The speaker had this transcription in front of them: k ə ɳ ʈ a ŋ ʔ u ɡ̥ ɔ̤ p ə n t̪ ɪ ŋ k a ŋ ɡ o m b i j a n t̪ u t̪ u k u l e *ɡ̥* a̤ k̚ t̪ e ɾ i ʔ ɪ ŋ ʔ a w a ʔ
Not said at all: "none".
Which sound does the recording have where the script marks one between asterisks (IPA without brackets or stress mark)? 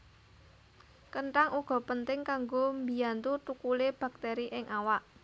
b̥